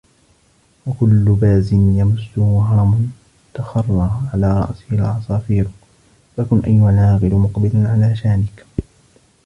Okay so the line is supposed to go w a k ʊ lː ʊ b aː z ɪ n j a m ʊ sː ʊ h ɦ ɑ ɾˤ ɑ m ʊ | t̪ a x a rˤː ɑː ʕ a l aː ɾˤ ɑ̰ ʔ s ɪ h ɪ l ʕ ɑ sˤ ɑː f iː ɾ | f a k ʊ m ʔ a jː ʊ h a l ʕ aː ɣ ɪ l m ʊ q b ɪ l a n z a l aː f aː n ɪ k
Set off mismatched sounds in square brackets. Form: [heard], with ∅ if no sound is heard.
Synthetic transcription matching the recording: w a k ʊ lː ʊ b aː z ɪ n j a m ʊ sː ʊ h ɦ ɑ ɾˤ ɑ m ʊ | t̪ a x [ɑ] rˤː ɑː ʕ a l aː ɾˤ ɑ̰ ʔ s ɪ h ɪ l ʕ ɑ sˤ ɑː f iː ɾ | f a k ʊ [n] ʔ a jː ʊ h a l ʕ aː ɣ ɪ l m ʊ q b ɪ l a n [ʕ] a l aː [ʃ] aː n ɪ k

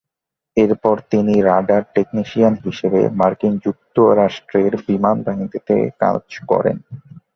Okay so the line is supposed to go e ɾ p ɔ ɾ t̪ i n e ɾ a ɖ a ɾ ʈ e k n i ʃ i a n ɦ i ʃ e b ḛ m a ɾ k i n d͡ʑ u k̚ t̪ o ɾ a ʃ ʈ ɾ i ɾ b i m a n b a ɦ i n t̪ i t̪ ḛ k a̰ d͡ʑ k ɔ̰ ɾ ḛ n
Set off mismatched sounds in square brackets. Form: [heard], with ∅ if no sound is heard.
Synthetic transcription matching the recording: e ɾ p ɔ ɾ t̪ i n [i] ɾ a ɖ a ɾ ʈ e k n i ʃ i a n ɦ i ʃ e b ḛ m a ɾ k i n d͡ʑ u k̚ t̪ o ɾ a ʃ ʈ ɾ [e] ɾ b i m a n b a ɦ i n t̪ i t̪ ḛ k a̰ d͡ʑ k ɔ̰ ɾ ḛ n

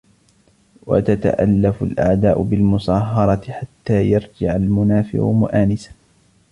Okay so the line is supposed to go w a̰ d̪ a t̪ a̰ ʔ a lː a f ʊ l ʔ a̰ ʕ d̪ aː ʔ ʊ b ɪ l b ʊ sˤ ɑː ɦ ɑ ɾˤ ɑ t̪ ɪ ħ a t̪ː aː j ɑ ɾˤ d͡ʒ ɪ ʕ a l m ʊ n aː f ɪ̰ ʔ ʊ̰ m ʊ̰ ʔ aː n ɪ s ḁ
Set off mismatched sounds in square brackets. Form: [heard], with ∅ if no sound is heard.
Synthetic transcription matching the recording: w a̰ [t̪] a t̪ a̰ ʔ a lː a f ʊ l ʔ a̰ ʕ d̪ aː ʔ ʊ b ɪ l [m] ʊ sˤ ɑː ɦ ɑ ɾˤ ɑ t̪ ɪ ħ a t̪ː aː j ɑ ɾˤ d͡ʒ ɪ ʕ a l m ʊ n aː f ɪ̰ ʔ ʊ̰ m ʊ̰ ʔ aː n ɪ s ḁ

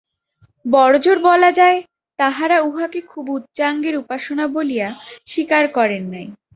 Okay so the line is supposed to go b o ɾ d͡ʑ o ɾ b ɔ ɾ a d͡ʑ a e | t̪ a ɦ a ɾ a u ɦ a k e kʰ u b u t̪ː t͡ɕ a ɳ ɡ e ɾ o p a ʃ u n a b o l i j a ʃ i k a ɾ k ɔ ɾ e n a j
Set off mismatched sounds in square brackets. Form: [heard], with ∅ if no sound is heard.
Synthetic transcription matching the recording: b [ɔ] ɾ d͡ʑ o ɾ b ɔ [l] a d͡ʑ a e | t̪ a ɦ a ɾ a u ɦ a k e kʰ u b u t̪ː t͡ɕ a [ŋ] ɡ e ɾ [u] p a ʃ [o] n a b o l i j a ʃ i k a ɾ k ɔ ɾ e [nː] a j

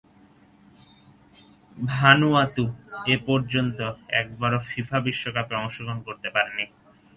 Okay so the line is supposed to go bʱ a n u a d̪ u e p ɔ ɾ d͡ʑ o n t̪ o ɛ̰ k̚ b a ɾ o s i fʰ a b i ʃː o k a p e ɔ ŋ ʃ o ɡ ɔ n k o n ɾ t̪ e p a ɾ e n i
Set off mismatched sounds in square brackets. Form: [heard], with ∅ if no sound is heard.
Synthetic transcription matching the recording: bʱ a n u a [t̪] u e p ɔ ɾ d͡ʑ o n t̪ o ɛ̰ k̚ b a ɾ o [f] i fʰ a b i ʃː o k a p e ɔ ŋ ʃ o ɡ [o] n k o [∅] ɾ t̪ e p a ɾ e n i

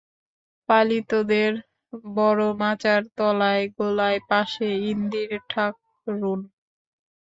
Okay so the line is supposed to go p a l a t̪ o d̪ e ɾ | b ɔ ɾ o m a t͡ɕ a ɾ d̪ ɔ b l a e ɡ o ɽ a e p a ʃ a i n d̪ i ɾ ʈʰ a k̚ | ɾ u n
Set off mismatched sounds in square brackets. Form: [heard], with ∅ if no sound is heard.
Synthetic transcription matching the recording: p a l [i] t̪ o d̪ e ɾ | b ɔ ɾ o m a t͡ɕ a ɾ [t̪] ɔ [∅] l a e ɡ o [l] a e p a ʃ [e] i n d̪ i ɾ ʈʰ a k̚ | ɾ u n

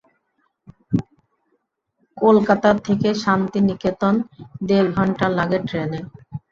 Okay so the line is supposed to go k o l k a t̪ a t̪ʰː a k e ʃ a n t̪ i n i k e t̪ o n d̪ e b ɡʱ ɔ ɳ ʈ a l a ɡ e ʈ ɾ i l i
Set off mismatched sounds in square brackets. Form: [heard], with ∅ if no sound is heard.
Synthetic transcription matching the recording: k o l k a t̪ a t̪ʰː [e] k e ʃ a n t̪ i n i k e t̪ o n d̪ e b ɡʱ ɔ ɳ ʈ a l a ɡ e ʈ ɾ [e] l [e]

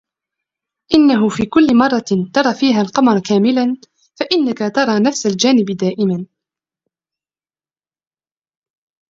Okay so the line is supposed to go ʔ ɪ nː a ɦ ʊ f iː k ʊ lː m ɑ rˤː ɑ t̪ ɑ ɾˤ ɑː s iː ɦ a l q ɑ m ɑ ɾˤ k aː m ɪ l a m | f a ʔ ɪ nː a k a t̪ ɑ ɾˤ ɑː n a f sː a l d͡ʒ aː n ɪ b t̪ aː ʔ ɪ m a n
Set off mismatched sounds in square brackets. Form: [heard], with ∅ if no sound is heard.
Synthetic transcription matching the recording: ʔ ɪ nː a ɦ ʊ f iː k ʊ lː m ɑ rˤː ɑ t̪ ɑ ɾˤ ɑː [f] iː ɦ a l q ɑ m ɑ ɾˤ k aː m ɪ l a [n] | f a ʔ ɪ nː a k a t̪ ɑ ɾˤ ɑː n a f [s] a l d͡ʒ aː n ɪ b [d̪] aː ʔ ɪ m a n

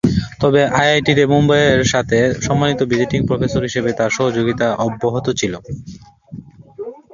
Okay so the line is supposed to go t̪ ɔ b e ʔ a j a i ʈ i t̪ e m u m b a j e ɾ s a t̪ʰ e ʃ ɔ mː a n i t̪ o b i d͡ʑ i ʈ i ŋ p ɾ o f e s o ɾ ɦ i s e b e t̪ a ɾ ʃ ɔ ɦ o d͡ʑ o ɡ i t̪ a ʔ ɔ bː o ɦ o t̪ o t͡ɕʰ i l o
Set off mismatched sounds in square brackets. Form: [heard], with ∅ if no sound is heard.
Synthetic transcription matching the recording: t̪ ɔ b e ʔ a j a [j] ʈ i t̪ e m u m b a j e ɾ [ʃ] a t̪ʰ e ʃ ɔ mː a n i t̪ o b i d͡ʑ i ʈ i ŋ p ɾ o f e s o ɾ ɦ i [ʃ] e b e t̪ a ɾ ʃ ɔ ɦ o d͡ʑ o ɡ i t̪ a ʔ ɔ bː o ɦ o t̪ o t͡ɕʰ i l o

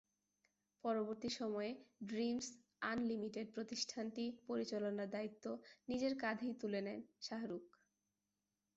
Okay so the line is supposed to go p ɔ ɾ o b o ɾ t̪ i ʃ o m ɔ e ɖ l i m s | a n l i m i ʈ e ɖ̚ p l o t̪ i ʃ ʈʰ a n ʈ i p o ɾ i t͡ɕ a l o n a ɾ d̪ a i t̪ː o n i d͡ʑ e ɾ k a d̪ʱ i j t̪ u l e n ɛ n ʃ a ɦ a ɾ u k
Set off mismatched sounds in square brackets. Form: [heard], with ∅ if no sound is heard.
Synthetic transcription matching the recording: p ɔ ɾ o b o ɾ t̪ i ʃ [ɔ] m ɔ e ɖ [ɾ] i m s | a n l i m i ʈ e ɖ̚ p [ɾ] o t̪ i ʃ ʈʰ a n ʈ i p o ɾ i t͡ɕ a l o n a ɾ d̪ a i t̪ː o n i d͡ʑ e ɾ k a d̪ʱ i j t̪ u l e n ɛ n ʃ a ɦ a ɾ u k

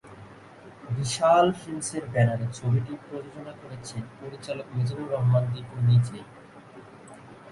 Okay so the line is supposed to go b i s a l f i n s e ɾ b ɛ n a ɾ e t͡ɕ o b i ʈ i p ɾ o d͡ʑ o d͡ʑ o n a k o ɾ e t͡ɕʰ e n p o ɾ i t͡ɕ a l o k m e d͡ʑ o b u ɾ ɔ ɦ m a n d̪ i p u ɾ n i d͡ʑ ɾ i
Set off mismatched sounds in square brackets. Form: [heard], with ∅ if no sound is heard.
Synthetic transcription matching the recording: b i [ʃ] a l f i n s e ɾ b ɛ n a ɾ e [t͡ɕʰ] o b i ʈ i p ɾ o d͡ʑ o d͡ʑ o n a k o ɾ e t͡ɕʰ e n p o ɾ i t͡ɕ a l o k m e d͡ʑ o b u ɾ ɔ ɦ m a n d̪ i p u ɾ n i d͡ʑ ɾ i

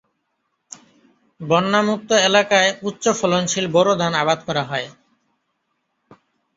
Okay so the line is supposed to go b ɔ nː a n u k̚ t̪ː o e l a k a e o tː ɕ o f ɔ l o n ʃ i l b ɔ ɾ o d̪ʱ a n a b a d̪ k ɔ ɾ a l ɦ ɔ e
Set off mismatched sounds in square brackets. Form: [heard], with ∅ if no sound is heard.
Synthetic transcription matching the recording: b ɔ nː a [m] u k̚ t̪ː o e l a k a e [u] tː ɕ o f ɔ l o n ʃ i l b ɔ ɾ o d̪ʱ a n a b a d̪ k ɔ ɾ a [∅] ɦ ɔ e

